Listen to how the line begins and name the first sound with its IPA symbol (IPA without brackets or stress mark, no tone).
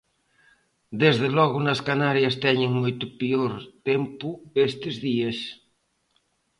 d̪